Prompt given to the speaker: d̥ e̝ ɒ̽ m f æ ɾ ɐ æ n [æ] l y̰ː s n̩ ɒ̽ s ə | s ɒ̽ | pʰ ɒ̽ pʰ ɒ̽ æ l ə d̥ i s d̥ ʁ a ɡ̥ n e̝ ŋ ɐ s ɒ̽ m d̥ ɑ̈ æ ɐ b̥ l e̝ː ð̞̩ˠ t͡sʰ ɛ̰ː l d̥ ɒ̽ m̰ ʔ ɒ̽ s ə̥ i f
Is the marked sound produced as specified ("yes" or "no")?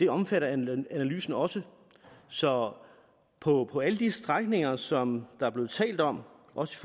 yes